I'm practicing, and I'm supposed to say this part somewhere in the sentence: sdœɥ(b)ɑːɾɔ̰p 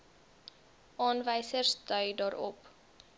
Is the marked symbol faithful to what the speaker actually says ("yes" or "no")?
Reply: no